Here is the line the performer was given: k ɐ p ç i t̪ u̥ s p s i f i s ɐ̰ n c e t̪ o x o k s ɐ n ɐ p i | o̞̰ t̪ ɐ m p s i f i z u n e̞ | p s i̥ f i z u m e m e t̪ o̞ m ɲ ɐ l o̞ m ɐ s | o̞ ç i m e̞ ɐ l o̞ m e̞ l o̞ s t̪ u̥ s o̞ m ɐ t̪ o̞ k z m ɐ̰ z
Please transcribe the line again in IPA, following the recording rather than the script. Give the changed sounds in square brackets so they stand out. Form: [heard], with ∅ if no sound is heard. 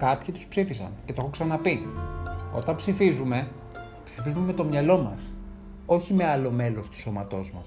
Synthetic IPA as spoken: k ɐ p ç i t̪ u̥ s p s i f i s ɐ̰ n c e t̪ o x o k s ɐ n ɐ p i | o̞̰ t̪ ɐ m p s i f i z u [m] e̞ | p s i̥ f i z u m e m e t̪ o̞ m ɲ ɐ l o̞ m ɐ s | o̞ ç i m e̞ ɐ l o̞ m e̞ l o̞ s t̪ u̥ s o̞ m ɐ t̪ o̞ [∅] z m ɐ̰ [s]